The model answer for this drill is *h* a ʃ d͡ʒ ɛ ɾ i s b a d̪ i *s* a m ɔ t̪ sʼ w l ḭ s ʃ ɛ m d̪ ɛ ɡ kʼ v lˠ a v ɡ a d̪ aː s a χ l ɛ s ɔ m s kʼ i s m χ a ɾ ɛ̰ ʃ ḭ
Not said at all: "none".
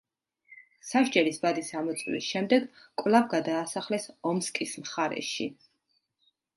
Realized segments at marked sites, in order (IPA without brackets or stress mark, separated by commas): s, s